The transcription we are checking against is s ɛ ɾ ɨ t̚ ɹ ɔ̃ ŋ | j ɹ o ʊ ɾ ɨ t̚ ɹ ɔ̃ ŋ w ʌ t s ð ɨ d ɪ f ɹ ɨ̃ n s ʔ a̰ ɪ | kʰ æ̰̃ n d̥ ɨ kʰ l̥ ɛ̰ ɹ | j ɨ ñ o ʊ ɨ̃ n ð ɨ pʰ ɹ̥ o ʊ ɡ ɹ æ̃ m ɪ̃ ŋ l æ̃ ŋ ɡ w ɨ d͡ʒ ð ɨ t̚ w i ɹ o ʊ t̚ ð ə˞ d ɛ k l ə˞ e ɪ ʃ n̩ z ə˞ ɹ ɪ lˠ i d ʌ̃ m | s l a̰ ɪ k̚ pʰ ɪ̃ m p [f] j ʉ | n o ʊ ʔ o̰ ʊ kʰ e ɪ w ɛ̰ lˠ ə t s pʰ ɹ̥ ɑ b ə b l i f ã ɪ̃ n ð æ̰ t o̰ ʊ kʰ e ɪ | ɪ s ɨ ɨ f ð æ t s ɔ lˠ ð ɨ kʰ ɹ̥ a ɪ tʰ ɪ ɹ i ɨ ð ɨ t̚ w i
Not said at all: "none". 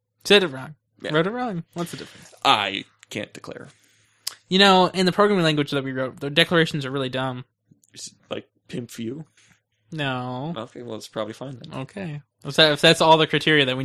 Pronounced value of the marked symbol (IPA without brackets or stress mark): f